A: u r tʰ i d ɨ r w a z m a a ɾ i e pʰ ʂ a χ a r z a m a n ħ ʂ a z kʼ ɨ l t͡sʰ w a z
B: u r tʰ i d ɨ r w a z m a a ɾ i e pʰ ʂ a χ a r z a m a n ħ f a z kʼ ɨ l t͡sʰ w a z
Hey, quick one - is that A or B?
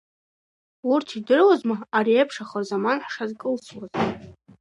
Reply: A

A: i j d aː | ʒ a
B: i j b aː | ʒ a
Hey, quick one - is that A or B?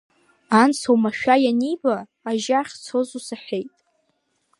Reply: B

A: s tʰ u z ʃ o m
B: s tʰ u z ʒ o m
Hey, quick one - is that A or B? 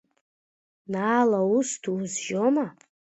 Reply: B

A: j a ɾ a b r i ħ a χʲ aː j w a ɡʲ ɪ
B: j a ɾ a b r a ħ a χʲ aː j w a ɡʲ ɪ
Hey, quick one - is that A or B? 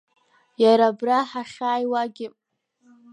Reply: B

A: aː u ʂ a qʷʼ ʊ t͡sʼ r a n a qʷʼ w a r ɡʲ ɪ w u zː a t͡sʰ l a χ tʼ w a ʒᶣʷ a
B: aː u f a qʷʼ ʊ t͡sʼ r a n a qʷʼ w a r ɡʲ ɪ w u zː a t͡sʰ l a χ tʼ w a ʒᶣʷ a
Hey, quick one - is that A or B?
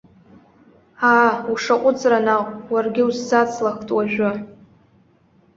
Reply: A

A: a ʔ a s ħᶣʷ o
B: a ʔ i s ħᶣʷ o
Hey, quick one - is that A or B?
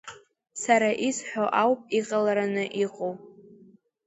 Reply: B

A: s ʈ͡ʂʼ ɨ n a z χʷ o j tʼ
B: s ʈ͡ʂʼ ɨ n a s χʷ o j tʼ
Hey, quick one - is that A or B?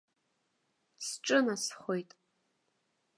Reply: B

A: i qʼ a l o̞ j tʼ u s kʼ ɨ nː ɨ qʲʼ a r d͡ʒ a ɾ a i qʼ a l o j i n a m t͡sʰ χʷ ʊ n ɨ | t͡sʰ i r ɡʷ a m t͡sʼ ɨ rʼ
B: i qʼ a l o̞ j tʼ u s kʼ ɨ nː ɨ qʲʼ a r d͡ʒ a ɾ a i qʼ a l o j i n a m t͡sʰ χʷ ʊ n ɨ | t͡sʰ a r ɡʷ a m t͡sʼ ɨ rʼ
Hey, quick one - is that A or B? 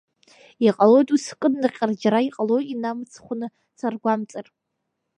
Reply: B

